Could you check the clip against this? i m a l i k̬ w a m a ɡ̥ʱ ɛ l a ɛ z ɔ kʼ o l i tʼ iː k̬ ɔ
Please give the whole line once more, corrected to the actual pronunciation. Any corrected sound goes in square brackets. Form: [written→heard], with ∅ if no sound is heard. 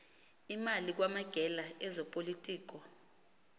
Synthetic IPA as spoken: i m a l i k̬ w a m a ɡ̥ʱ ɛ l a ɛ z ɔ [kʼ→pʼ] o l i tʼ iː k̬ ɔ